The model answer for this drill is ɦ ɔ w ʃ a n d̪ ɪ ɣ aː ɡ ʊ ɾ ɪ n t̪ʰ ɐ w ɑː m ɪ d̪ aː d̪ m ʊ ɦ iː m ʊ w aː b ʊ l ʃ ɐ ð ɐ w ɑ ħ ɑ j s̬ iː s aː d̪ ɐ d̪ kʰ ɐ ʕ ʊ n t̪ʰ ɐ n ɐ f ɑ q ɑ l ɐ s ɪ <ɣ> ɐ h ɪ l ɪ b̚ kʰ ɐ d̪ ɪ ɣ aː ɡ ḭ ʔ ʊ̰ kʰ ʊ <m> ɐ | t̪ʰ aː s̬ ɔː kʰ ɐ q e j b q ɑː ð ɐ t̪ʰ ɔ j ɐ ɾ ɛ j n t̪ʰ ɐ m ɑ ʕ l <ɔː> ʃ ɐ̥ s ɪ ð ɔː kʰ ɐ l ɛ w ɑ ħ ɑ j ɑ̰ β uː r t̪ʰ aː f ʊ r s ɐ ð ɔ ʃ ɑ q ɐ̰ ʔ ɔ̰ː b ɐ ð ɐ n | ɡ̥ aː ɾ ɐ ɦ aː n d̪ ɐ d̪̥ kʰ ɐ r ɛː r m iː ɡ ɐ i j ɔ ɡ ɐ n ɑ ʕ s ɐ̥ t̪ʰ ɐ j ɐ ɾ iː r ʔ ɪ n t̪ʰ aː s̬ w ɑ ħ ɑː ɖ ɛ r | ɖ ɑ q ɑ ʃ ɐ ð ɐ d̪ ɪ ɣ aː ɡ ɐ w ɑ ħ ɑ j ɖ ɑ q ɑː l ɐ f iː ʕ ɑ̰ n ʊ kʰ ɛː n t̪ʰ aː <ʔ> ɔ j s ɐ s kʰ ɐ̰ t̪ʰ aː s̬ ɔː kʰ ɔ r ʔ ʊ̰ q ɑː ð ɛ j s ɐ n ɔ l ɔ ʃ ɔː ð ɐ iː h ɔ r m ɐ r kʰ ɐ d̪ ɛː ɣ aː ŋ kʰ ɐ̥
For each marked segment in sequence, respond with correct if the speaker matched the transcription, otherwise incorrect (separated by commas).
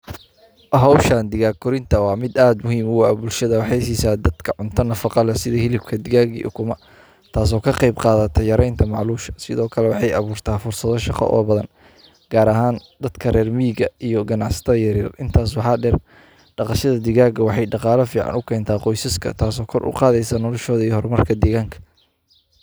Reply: incorrect, correct, incorrect, incorrect